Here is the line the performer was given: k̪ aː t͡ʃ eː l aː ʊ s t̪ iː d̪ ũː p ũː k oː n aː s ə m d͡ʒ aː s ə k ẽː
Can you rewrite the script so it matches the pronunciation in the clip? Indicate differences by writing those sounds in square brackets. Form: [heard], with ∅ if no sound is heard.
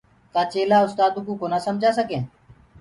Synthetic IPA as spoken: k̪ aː t͡ʃ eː l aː ʊ s t̪ [aː] d̪ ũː [k] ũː k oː n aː s ə m d͡ʒ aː s ə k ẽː